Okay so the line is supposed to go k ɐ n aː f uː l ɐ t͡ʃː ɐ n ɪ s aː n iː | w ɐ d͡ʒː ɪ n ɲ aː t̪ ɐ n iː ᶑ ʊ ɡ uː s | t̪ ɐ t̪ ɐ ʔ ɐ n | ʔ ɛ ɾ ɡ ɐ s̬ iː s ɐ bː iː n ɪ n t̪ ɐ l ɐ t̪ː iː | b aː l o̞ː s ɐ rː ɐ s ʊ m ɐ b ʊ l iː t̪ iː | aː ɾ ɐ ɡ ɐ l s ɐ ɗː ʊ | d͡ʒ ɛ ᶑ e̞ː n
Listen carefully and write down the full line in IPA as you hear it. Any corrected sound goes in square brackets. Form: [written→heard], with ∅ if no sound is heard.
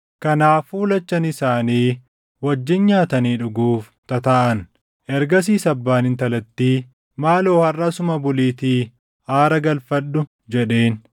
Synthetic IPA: k ɐ n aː f uː l ɐ t͡ʃː ɐ n ɪ s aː n iː | w ɐ d͡ʒː ɪ n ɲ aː t̪ ɐ n iː ᶑ ʊ ɡ uː [s→f] | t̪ ɐ t̪ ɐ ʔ ɐ n | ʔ ɛ ɾ ɡ ɐ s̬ iː s ɐ bː [iː→aː] n ɪ n t̪ ɐ l ɐ t̪ː iː | [b→m] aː l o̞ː [s→h] ɐ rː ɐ s ʊ m ɐ b ʊ l iː t̪ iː | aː ɾ ɐ ɡ ɐ l [s→f] ɐ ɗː ʊ | d͡ʒ ɛ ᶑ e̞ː n